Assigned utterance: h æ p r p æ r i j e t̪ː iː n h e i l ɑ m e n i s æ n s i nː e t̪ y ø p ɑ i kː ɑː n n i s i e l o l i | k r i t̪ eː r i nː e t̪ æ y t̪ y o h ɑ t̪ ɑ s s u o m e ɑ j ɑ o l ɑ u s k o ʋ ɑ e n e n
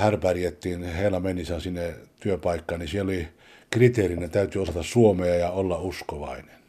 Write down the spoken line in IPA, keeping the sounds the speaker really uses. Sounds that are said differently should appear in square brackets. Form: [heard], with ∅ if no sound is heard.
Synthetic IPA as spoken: h æ [∅] r p æ r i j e t̪ː iː n h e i l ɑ m e n i s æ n s i nː e t̪ y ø p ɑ i kː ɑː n n i s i e l o l i | k r i t̪ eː r i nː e t̪ æ y t̪ y o [s] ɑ t̪ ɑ s s u o m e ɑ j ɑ o [lː] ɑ u s k o ʋ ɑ [i] n e n